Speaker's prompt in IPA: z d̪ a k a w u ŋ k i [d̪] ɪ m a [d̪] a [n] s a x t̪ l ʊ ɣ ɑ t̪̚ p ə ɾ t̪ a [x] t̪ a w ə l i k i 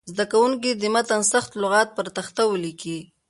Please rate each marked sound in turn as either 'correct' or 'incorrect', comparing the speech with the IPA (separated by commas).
correct, incorrect, correct, correct